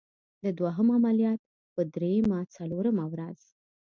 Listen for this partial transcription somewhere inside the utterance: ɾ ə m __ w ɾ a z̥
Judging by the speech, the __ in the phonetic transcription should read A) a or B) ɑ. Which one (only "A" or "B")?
A